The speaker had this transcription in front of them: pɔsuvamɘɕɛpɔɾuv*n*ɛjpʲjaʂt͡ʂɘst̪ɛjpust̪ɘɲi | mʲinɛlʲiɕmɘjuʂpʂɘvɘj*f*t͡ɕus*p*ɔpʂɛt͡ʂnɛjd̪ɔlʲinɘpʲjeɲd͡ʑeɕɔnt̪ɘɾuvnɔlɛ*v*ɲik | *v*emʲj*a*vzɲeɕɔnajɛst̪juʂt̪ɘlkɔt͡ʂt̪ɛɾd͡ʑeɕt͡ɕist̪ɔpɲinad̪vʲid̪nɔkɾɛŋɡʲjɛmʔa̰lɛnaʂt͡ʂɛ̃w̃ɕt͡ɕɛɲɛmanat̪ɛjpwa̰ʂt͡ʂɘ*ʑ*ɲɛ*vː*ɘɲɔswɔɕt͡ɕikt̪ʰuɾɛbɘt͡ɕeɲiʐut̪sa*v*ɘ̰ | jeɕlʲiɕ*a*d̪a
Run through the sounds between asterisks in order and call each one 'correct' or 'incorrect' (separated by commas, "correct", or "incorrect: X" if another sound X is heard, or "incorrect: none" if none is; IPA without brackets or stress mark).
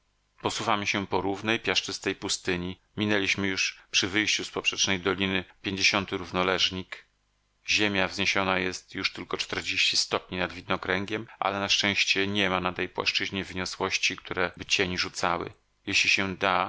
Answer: correct, incorrect: ɕ, correct, incorrect: ʐ, incorrect: ʑ, correct, correct, incorrect: v, incorrect: w, incorrect: ɛ